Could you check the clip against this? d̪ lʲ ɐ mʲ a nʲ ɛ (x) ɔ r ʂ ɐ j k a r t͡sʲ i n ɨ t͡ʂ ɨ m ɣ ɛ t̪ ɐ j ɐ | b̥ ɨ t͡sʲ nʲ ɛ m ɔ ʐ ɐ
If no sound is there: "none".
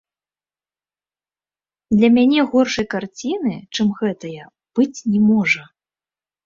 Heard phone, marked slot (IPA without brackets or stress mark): ɣ